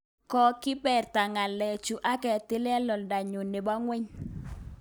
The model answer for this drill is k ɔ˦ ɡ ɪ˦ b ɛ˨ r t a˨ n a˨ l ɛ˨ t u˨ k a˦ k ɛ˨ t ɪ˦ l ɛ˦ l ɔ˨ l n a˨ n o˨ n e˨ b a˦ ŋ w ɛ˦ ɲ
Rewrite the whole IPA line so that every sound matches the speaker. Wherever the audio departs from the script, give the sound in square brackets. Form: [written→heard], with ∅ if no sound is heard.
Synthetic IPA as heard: k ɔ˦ [ɡ→k] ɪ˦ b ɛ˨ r t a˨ [n→ŋ] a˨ l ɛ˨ [t→t͡ʃ] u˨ [k→ʔ] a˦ k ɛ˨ t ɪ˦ l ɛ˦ l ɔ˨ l [n→d] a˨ [n→ɲ] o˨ n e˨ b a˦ ŋ w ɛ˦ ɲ